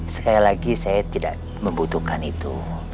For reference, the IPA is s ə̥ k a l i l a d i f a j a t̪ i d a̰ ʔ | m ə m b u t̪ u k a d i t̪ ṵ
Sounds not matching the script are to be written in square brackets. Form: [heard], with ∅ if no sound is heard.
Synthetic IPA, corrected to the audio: s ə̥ k a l i l a [ɡ] i [s] a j a t̪ i d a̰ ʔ | m ə m b u t̪ u k a [n] i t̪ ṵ